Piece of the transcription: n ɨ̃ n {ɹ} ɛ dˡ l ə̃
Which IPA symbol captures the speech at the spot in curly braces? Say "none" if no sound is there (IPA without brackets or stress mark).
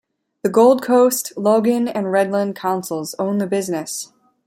ɹ